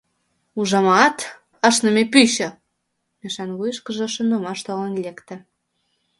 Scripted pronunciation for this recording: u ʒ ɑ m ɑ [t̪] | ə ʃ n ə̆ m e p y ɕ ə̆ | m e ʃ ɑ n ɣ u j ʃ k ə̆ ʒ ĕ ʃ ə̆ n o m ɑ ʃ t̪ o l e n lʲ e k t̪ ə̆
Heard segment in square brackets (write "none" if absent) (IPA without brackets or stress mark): t̪